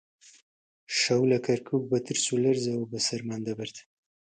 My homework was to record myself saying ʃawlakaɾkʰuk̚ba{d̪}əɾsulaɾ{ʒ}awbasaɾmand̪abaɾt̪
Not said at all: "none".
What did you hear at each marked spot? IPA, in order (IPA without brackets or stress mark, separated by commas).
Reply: t̪, z